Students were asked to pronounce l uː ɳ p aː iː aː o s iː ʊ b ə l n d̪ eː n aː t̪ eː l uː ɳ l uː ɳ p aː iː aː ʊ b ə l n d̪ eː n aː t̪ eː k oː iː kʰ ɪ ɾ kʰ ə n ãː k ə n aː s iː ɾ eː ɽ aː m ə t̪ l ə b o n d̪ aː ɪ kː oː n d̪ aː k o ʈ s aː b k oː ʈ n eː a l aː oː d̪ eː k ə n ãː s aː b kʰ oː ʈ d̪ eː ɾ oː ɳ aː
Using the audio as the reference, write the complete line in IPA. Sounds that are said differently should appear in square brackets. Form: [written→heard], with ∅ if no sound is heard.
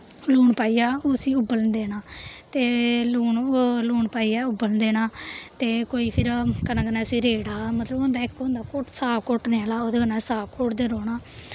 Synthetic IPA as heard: l uː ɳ p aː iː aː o s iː ʊ b ə l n d̪ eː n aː t̪ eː l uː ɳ l uː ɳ p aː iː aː ʊ b ə l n d̪ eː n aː t̪ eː k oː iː [kʰ→pʰ] ɪ ɾ [kʰ→k] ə n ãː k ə n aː s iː ɾ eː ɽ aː m ə t̪ l ə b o n d̪ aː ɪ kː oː n d̪ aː k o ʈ s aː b k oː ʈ n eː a l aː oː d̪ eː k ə n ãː s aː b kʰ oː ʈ d̪ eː ɾ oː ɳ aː